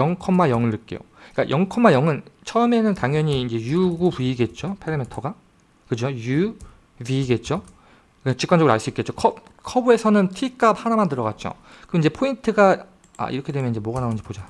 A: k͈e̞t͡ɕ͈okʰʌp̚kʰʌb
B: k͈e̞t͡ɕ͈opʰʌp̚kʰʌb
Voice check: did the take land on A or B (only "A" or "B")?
A